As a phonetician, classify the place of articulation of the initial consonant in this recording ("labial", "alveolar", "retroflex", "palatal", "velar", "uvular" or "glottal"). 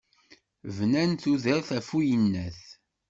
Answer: labial